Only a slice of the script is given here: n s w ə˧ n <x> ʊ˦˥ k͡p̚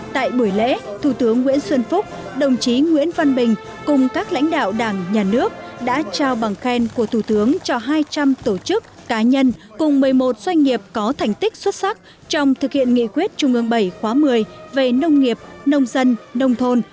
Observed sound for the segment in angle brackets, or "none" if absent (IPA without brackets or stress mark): f